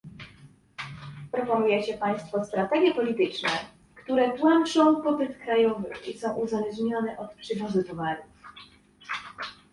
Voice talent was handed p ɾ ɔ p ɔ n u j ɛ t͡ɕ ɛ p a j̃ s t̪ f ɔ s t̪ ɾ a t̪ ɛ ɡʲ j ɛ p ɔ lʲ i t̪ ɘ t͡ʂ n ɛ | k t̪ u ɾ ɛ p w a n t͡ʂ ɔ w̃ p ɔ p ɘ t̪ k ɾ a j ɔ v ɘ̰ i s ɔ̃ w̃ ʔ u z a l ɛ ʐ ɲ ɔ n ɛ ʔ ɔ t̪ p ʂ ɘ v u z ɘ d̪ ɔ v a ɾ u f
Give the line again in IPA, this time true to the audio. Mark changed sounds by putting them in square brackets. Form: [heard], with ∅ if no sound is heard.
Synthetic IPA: p ɾ ɔ p ɔ n u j ɛ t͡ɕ ɛ p a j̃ s t̪ f ɔ s t̪ ɾ a t̪ ɛ ɡʲ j ɛ p ɔ lʲ i t̪ ɘ t͡ʂ n ɛ | k t̪ u ɾ ɛ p w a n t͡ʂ [ɔ̃] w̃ p ɔ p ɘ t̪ k ɾ a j ɔ v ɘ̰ i s ɔ̃ w̃ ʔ u z a l ɛ ʐ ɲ ɔ n ɛ ʔ ɔ t̪ p ʂ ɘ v u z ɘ [t̪] ɔ v a ɾ u f